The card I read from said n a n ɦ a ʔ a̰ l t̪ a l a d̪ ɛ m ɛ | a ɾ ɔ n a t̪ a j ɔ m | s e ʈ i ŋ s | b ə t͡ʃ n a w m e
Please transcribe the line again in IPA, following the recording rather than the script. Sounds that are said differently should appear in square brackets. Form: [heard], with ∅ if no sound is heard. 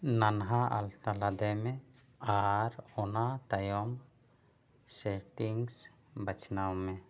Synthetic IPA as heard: n a n ɦ a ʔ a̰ l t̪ a l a d̪ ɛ m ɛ | a ɾ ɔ n a t̪ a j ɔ m | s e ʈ i ŋ s | b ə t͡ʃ n a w m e